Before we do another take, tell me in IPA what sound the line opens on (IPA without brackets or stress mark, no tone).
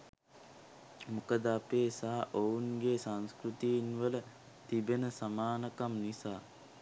m